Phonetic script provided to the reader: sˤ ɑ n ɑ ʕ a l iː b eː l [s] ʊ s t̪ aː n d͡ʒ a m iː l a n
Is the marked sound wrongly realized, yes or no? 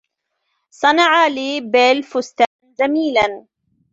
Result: yes